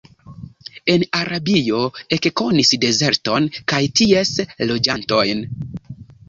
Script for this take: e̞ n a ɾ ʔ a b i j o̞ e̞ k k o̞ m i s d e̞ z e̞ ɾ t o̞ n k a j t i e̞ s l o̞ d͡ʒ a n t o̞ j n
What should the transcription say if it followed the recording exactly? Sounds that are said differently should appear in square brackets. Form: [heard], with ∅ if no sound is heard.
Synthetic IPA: e̞ n a ɾ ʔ a b i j o̞ e̞ k k o̞ [n] i s d e̞ z e̞ ɾ t o̞ n k a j t i e̞ s l o̞ d͡ʒ a n t o̞ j n